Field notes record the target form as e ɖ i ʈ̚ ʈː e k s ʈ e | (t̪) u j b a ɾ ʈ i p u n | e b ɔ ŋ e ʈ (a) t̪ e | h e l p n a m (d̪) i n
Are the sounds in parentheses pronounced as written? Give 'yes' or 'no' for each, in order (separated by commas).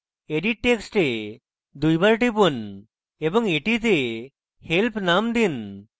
no, no, yes